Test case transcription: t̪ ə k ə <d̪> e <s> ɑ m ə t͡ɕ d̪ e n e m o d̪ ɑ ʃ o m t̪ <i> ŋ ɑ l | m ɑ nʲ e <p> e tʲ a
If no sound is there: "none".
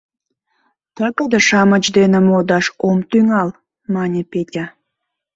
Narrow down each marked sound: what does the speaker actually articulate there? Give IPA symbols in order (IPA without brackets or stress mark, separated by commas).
d̪, ʃ, y, p